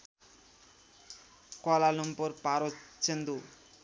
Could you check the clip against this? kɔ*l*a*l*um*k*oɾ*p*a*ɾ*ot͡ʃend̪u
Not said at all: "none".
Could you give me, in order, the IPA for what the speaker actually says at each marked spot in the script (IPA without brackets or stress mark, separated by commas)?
l, l, p, p, ɾ